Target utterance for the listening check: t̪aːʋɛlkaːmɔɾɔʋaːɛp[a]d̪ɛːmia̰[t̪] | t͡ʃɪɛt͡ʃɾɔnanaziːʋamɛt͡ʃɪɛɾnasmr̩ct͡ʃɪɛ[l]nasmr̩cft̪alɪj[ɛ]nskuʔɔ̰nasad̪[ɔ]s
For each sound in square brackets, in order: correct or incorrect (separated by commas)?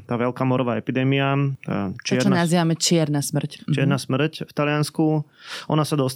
incorrect, incorrect, incorrect, incorrect, correct